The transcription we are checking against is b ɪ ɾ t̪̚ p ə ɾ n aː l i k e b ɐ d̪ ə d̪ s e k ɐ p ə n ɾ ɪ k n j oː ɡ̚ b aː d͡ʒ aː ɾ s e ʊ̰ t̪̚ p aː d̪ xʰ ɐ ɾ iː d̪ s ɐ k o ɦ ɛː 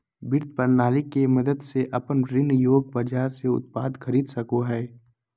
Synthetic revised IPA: b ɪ ɾ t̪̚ p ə ɾ n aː l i k e m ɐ d̪ ə d̪ s e ʔ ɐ p ə n ɾ ɪ n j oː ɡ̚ b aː d͡ʒ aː ɾ s e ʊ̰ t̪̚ p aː d̪ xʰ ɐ ɾ iː d̪ s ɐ k o ɦ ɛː